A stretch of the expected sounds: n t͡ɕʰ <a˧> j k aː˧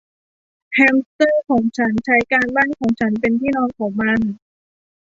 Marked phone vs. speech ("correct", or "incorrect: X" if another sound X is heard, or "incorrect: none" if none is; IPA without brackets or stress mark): incorrect: a˦˥